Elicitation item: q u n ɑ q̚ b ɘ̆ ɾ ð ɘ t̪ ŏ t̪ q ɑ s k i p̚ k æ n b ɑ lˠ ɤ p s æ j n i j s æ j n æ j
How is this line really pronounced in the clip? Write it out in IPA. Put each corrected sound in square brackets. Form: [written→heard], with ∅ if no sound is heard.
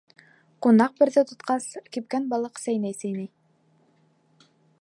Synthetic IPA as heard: q u n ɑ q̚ b ɘ̆ ɾ ð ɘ t̪ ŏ t̪ q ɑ s k i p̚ k æ n b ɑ lˠ ɤ [p→q] s æ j n [i→æ] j s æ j n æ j